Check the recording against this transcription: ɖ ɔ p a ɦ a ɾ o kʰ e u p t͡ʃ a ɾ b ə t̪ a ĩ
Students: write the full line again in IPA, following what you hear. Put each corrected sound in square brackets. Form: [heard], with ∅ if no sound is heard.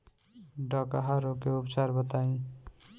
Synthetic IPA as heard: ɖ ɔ [k] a ɦ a ɾ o [k] e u p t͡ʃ a ɾ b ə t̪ a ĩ